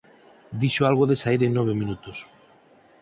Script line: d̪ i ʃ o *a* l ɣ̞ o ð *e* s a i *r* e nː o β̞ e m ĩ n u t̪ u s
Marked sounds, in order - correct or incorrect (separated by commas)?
correct, correct, incorrect